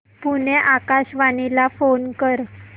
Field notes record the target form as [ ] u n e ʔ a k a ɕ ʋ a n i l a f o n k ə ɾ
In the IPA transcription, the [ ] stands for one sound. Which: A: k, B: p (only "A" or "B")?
B